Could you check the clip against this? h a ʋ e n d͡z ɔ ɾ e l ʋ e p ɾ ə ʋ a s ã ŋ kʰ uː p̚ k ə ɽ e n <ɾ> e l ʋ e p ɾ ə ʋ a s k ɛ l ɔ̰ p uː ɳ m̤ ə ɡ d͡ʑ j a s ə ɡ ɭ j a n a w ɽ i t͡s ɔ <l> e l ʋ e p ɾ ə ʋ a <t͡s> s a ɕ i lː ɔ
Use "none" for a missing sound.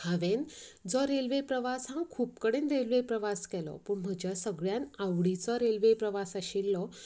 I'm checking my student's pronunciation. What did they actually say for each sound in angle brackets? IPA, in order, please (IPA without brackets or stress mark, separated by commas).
ɾ, ɾ, none